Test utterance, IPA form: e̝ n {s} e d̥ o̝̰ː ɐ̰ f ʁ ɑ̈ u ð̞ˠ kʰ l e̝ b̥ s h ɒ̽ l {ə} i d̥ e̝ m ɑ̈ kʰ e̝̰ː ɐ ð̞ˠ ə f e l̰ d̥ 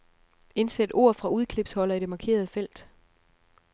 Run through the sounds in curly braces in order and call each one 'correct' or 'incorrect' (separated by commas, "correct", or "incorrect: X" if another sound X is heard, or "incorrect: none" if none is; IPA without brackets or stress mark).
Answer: correct, incorrect: ɐ